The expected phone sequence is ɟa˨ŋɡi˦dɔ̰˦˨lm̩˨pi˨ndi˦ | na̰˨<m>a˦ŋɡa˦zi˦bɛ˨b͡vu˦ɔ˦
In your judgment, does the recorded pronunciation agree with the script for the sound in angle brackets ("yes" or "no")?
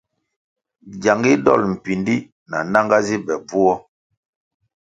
no